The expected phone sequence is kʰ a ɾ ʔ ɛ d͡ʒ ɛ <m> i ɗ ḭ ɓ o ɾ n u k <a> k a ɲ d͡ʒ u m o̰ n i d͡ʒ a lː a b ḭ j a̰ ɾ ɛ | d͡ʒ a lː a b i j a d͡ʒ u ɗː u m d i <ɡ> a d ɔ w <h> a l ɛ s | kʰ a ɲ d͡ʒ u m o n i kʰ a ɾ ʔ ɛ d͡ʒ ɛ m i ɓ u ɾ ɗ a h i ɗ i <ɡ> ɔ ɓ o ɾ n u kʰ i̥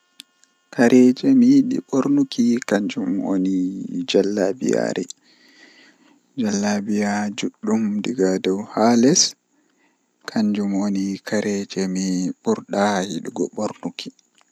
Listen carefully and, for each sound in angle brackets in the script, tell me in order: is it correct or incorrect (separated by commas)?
correct, incorrect, correct, correct, correct